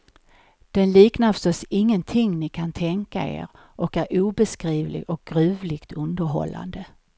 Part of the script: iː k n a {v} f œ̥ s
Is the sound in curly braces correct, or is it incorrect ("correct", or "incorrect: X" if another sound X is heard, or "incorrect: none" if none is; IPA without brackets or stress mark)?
incorrect: none